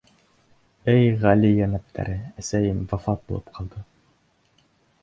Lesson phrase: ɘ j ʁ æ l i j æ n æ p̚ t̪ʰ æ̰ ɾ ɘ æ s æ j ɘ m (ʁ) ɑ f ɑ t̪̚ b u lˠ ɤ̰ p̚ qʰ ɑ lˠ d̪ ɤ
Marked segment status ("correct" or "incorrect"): incorrect